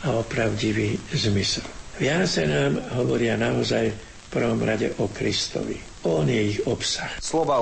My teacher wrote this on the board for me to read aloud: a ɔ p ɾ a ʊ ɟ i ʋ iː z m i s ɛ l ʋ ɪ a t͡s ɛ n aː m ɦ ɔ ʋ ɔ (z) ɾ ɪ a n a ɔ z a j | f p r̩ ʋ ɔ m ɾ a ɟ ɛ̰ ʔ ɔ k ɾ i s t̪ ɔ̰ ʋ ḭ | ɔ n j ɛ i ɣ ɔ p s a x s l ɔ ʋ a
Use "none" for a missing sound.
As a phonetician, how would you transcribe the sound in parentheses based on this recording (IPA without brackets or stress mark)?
none